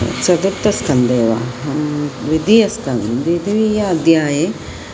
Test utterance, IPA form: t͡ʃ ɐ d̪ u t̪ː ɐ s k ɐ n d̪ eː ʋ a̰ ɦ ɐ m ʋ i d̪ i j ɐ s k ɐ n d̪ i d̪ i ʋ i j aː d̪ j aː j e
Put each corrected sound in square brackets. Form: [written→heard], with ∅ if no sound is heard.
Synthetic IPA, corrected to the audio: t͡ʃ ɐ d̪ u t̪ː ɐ s k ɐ n d̪ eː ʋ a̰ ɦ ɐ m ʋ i d̪ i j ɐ s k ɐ n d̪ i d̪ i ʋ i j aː d̪ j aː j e